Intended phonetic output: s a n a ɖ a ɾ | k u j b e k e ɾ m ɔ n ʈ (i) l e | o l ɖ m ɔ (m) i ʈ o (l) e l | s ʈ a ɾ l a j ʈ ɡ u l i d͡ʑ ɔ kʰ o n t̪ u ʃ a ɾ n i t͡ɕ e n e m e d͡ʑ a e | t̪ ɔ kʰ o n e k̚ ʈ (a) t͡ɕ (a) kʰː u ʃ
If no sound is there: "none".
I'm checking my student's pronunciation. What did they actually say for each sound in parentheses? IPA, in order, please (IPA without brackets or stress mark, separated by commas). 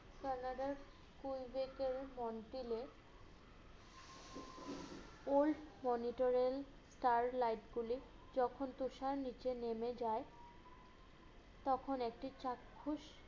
i, n, ɾ, i, a